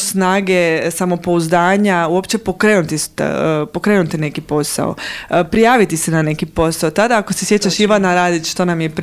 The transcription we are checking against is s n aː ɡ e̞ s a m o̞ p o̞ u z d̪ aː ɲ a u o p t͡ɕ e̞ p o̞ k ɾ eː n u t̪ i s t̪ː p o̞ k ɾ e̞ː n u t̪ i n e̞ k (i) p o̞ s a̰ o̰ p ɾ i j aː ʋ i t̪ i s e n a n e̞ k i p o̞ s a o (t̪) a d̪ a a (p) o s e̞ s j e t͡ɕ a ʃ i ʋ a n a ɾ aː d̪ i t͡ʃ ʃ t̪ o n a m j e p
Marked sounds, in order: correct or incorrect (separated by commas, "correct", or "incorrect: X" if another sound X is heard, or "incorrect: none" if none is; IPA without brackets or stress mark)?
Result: correct, correct, incorrect: k